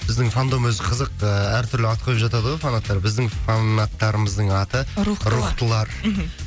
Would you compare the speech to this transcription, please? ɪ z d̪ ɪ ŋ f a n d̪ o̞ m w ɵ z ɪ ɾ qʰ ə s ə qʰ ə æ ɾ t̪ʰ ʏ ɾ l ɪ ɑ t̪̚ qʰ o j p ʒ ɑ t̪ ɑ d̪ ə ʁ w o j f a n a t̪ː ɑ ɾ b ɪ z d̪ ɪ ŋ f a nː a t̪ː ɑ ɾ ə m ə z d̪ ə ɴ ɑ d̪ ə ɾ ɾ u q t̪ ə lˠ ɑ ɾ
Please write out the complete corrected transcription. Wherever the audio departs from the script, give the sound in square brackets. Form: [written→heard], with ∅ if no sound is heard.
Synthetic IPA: ɪ z d̪ ɪ ŋ f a n d̪ o̞ m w ɵ z ɪ [ɾ→∅] qʰ ə [s→z] ə [qʰ→q] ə æ ɾ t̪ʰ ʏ ɾ l ɪ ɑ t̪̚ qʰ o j p ʒ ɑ t̪ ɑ d̪ ə ʁ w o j f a n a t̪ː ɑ ɾ b ɪ z d̪ ɪ ŋ f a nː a t̪ː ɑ ɾ ə m ə z d̪ ə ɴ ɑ [d̪→t̪] ə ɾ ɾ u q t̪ ə lˠ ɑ ɾ